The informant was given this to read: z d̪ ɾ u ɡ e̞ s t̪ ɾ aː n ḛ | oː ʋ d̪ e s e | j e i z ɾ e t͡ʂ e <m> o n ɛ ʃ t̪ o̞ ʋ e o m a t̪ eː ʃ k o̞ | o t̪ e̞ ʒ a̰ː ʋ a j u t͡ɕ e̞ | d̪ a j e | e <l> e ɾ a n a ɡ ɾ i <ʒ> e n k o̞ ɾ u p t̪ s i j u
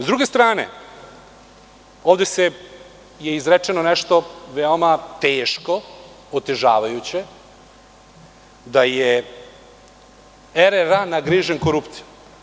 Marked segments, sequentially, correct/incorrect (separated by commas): incorrect, incorrect, correct